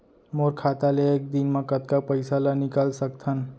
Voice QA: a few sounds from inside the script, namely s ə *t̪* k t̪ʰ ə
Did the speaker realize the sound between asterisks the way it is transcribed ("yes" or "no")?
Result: no